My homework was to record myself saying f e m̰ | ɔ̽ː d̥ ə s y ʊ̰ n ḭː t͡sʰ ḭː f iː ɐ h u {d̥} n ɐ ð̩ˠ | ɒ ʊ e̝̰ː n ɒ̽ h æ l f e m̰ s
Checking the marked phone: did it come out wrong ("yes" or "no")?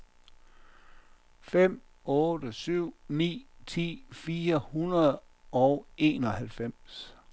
yes